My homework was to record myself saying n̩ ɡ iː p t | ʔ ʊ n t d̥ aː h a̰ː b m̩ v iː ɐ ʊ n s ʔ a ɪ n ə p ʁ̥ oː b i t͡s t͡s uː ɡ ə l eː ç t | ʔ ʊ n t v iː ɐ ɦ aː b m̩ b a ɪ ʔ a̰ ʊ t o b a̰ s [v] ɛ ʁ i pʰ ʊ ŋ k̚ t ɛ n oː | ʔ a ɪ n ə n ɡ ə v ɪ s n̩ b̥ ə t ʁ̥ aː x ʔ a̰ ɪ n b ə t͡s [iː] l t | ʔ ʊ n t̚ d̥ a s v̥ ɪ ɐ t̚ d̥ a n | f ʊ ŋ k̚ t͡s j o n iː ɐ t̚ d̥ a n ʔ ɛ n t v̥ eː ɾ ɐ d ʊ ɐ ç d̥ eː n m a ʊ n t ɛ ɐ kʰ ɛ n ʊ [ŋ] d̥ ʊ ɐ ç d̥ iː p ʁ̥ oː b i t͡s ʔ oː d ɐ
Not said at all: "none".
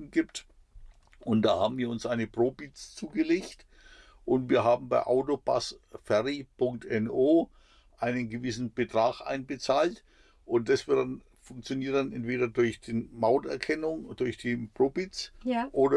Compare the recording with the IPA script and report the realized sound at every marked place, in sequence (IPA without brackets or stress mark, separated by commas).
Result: f, aː, ŋ